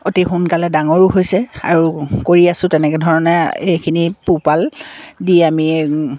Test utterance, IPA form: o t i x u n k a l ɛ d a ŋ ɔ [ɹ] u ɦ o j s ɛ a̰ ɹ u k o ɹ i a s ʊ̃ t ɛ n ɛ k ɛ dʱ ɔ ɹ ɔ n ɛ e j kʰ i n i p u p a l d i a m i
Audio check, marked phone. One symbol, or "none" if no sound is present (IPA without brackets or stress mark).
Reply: ɹ